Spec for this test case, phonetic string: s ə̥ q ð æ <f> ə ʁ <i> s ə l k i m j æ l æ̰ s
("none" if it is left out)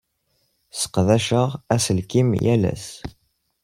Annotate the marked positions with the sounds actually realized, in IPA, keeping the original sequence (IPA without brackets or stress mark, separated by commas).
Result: ʃ, æ